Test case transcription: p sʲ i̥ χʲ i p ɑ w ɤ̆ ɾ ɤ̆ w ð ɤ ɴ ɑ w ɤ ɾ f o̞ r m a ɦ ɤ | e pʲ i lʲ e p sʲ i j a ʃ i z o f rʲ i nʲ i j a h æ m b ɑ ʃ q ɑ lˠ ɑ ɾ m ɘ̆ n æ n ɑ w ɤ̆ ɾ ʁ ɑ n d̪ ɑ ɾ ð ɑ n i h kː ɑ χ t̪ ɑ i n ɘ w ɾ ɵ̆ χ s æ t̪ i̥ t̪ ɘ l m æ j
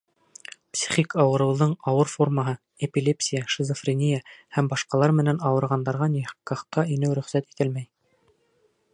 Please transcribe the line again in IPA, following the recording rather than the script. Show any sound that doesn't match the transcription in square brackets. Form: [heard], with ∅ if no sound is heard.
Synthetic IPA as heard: p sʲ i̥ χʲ i [k] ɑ w ɤ̆ ɾ ɤ̆ w ð ɤ ɴ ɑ w ɤ ɾ f o̞ r m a ɦ ɤ | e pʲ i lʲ e p sʲ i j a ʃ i z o f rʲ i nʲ i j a h æ m b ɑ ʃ q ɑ lˠ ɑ ɾ m ɘ̆ n æ n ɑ w ɤ̆ ɾ ʁ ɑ n d̪ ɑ ɾ [ʁ] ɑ n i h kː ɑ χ t̪ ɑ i n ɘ w ɾ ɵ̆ χ s æ t̪ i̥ t̪ ɘ l m æ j